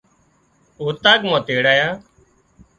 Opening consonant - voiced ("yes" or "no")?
no